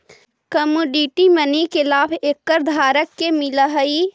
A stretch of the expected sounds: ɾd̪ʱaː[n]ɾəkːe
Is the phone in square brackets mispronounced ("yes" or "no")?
yes